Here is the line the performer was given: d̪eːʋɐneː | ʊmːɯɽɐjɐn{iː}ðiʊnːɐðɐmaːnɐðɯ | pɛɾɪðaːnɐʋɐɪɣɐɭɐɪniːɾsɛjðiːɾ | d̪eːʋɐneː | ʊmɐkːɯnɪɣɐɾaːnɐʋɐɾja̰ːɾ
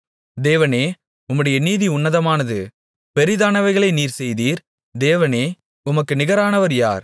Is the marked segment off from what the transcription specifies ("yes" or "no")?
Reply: no